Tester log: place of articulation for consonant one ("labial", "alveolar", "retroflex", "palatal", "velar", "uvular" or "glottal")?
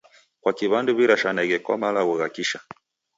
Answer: velar